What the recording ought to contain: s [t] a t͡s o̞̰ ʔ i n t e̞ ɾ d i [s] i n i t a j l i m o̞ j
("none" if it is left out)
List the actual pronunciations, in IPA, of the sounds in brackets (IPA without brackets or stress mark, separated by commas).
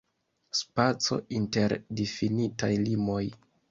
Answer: p, f